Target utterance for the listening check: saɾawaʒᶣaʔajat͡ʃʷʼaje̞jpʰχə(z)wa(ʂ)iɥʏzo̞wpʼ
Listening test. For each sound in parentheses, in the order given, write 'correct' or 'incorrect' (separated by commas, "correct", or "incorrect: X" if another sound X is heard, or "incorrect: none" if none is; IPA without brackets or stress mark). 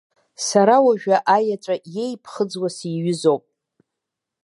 incorrect: d͡z, incorrect: s